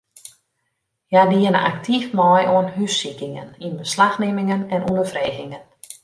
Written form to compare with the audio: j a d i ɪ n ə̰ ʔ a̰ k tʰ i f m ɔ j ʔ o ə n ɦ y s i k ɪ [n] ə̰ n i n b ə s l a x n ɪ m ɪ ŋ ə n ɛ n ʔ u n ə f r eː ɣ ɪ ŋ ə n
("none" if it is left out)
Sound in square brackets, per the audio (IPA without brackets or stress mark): ŋ